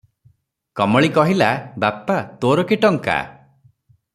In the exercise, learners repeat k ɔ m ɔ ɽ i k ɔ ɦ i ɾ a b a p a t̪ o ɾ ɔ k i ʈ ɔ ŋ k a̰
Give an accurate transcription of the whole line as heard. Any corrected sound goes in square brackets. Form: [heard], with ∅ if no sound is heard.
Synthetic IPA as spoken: k ɔ m ɔ [ɭ] i k ɔ ɦ i [l] a b a p a t̪ o ɾ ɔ k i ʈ ɔ ŋ k a̰